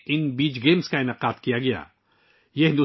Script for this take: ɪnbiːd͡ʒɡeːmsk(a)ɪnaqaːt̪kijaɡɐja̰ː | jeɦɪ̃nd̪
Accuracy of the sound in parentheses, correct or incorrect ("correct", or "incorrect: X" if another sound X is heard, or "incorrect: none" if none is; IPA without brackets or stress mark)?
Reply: correct